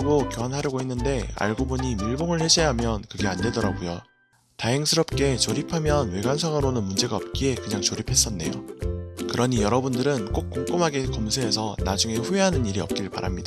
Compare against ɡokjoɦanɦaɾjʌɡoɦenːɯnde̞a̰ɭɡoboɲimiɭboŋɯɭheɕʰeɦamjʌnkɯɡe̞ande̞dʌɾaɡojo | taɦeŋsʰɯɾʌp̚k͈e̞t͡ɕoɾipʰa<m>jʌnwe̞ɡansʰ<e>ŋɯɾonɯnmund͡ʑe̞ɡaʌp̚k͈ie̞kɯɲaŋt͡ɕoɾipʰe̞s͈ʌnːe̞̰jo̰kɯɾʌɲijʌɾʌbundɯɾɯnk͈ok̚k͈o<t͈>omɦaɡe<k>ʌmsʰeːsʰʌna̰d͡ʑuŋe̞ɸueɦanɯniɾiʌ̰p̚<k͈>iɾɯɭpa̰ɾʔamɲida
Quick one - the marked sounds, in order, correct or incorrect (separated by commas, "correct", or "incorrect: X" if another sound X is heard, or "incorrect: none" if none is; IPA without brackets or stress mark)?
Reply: correct, incorrect: a, incorrect: k͈, correct, correct